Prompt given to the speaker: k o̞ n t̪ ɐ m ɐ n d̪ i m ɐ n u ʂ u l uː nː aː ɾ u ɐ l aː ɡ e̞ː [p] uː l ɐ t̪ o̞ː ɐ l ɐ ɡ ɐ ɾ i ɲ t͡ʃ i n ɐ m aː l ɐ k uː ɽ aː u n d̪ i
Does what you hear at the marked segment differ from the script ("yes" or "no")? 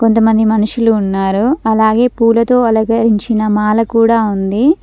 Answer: no